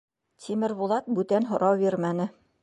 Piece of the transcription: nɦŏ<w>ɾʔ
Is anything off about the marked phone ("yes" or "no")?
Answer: yes